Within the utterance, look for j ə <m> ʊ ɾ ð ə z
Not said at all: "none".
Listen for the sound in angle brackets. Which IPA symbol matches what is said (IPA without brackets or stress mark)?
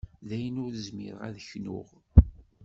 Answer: n